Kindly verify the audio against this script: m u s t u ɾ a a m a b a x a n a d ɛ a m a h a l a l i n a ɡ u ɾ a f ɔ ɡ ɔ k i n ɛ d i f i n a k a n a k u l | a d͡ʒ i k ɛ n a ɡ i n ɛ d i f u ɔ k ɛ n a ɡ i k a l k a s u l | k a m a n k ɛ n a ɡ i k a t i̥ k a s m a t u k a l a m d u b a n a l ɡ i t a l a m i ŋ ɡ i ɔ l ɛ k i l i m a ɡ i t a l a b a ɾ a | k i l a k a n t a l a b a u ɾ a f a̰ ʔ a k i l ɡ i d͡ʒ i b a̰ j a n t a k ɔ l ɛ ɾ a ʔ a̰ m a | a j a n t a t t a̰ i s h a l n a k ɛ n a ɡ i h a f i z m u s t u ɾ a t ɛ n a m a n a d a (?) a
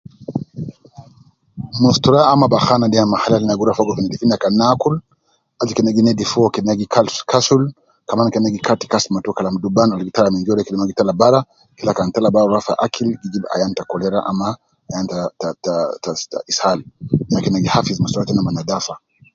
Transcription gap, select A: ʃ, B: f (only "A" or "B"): B